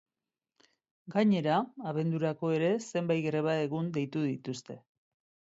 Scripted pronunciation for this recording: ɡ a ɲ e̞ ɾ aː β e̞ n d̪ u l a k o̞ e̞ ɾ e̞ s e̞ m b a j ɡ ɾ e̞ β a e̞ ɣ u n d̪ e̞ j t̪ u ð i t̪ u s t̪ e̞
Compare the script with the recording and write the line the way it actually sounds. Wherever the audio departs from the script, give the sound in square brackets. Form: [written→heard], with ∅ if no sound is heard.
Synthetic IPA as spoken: ɡ a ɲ e̞ ɾ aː β e̞ n d̪ u [l→ɾ] a k o̞ e̞ ɾ e̞ s e̞ m b a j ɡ ɾ e̞ β a e̞ ɣ u n d̪ e̞ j t̪ u ð i t̪ u s t̪ e̞